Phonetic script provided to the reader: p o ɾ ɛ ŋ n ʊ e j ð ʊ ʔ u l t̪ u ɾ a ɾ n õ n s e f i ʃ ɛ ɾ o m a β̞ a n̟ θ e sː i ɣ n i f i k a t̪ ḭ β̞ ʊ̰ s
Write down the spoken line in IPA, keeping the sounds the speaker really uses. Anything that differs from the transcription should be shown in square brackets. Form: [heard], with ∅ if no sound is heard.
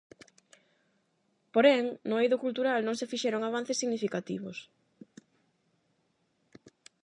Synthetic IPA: p o ɾ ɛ ŋ n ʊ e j ð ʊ [k] u l t̪ u ɾ a [l] n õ [ŋ] s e f i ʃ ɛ ɾ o [ŋ] a β̞ a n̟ θ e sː i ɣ n i f i k a t̪ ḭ β̞ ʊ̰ s

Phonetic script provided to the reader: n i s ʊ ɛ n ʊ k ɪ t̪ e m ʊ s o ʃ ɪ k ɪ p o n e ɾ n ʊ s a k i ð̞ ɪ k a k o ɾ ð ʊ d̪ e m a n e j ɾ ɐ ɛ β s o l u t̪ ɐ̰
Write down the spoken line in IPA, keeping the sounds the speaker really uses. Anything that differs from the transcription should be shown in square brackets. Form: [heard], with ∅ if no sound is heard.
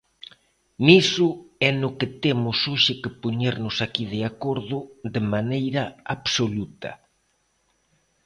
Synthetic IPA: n i s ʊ ɛ n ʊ k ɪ t̪ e m ʊ s o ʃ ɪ k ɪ p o [ɲ] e ɾ n ʊ s a k i ð̞ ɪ [∅] a k o ɾ ð ʊ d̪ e m a n e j ɾ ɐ [a] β s o l u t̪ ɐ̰

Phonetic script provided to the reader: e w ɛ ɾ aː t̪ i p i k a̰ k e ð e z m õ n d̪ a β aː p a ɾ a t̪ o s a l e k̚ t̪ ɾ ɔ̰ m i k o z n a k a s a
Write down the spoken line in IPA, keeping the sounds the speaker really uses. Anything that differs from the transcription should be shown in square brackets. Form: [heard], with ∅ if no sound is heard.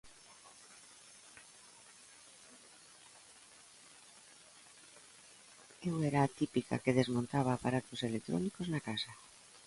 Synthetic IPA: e w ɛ ɾ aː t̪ i p i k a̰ k e ð e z m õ n [t̪] a β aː p a ɾ a t̪ o s [e] l e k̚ t̪ ɾ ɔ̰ [n] i k o z n a k a s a

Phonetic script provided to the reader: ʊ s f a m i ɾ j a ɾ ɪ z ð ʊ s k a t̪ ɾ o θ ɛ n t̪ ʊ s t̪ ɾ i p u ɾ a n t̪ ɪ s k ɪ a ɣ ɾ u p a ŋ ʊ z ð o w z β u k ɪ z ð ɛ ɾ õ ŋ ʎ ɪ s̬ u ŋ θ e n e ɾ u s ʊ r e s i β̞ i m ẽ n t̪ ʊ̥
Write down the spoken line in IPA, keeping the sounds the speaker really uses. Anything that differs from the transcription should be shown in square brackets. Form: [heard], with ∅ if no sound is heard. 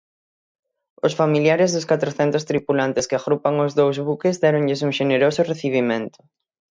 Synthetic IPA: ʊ s f a m i [l] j a ɾ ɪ z ð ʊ s k a t̪ ɾ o θ ɛ n t̪ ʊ s t̪ ɾ i p u [l] a n t̪ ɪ s k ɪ a ɣ ɾ u p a ŋ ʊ z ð o w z β u k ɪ z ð ɛ ɾ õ ŋ ʎ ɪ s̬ u ŋ [ʃ] e n e ɾ [o] s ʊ r e [θ] i β̞ i m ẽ n t̪ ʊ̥

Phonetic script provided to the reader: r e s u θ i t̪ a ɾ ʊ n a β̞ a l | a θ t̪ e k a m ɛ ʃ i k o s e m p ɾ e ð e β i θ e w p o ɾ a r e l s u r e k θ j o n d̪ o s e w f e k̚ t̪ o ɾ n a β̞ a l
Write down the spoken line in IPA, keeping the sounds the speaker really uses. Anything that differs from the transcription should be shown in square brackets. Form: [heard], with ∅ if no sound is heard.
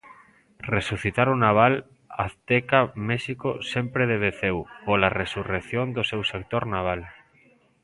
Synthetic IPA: r e s u θ i t̪ a ɾ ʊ n a β̞ a l | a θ t̪ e k a m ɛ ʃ i k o s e m p ɾ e ð e β [e] θ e w p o [l] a r e [∅] s u r e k θ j o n d̪ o s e w [s] e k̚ t̪ o ɾ n a β̞ a l

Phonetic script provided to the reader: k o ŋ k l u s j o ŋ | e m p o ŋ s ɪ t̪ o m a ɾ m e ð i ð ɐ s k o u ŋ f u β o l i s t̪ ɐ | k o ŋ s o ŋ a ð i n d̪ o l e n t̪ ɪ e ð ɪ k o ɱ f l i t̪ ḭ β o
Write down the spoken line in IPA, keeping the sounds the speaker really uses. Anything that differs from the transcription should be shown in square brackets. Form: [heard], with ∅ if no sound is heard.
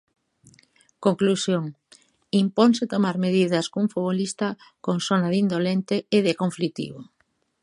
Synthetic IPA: k o ŋ k l u s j o ŋ | [i] m p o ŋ s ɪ t̪ o m a ɾ m e ð i ð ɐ s k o u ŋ f u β o l i s t̪ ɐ | k o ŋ s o [n] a ð i n d̪ o l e n t̪ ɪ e ð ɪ k o ɱ f l i t̪ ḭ β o

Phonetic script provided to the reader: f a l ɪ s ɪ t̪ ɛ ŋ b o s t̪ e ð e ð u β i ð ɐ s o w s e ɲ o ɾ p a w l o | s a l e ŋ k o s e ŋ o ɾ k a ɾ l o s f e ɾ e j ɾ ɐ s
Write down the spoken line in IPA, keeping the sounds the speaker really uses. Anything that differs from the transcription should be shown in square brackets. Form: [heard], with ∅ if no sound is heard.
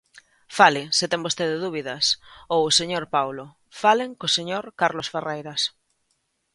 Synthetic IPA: f a l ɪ s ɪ t̪ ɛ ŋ b o s t̪ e ð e ð u β i ð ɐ s o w s e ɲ o ɾ p a w l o | [f] a l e ŋ k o s e [ɲ] o ɾ k a ɾ l o s f e [r] e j ɾ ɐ s

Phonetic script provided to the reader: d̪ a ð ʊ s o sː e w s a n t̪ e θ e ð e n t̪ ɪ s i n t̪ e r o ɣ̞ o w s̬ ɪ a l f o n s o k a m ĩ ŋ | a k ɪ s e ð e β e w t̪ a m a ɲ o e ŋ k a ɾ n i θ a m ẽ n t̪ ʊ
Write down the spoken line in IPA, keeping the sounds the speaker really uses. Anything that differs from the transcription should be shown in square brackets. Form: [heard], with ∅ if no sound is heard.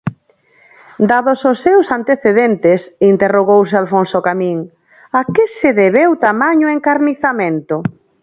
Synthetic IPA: d̪ a ð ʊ s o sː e w s a n t̪ e θ e ð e n t̪ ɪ s i n t̪ e r o ɣ̞ o w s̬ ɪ a l f o n s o k a m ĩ ŋ | a k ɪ s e ð e β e w t̪ a m a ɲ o e ŋ k a ɾ n i θ a m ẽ n t̪ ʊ

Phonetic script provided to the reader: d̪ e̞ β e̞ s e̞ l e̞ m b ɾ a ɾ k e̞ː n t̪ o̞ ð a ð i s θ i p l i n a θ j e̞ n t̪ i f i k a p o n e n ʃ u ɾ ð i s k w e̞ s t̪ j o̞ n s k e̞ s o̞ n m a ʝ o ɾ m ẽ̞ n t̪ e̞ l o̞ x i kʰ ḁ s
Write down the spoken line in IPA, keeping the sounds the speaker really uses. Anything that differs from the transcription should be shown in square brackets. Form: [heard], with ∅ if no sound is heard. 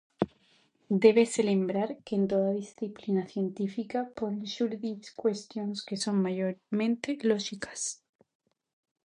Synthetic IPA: d̪ e̞ β e̞ s e̞ l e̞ m b ɾ a ɾ k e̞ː n t̪ o̞ ð a ð i s θ i p l i n a θ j e̞ n t̪ i f i k a p o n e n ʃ u ɾ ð i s k w e̞ s t̪ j o̞ n s k e̞ s o̞ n m a ʝ o ɾ m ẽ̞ n t̪ e̞ l o̞ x i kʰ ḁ s

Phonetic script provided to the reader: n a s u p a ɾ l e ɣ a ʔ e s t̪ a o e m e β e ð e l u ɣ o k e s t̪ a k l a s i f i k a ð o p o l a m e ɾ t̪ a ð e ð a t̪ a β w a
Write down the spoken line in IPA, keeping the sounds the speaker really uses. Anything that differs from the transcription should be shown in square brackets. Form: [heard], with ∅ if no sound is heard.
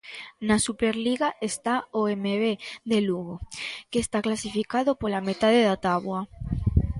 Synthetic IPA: n a s u p [e] ɾ l [i] ɣ a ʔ e s t̪ a o e m e β e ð e l u ɣ o k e s t̪ a k l a s i f i k a ð o p o l a m e [∅] t̪ a ð e ð a t̪ a β w a

